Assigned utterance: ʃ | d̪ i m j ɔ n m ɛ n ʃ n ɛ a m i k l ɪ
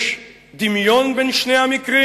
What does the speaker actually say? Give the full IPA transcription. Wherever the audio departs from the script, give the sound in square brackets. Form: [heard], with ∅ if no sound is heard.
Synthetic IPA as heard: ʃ | d̪ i m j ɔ n [b] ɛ n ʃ n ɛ a m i k [ɾ] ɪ